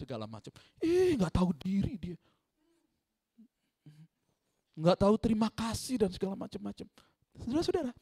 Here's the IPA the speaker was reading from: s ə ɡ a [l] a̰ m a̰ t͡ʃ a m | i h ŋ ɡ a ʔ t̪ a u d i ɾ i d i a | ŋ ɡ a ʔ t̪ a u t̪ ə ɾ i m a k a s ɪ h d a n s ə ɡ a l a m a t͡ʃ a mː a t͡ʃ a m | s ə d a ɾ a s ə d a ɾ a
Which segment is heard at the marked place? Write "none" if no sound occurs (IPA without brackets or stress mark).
l